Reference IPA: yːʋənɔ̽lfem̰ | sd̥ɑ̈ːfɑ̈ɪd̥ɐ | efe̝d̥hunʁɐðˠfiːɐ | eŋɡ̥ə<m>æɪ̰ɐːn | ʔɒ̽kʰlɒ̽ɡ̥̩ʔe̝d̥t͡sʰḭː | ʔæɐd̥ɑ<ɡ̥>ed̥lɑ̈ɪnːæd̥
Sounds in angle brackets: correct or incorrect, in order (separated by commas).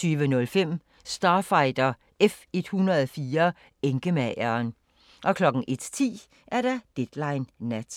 correct, incorrect